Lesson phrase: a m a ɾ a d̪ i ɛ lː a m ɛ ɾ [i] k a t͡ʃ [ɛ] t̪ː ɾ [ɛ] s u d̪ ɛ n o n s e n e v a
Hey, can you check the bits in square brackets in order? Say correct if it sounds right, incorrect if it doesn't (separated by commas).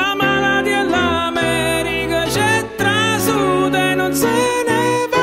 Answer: correct, correct, incorrect